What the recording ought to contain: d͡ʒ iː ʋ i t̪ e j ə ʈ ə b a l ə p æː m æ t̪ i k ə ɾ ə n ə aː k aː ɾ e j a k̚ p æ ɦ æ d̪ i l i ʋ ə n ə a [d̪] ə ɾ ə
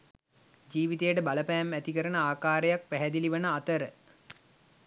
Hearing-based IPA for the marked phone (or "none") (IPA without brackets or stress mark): t̪